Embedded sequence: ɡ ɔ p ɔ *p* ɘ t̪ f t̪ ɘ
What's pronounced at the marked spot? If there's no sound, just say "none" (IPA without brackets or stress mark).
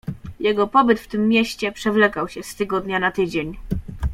b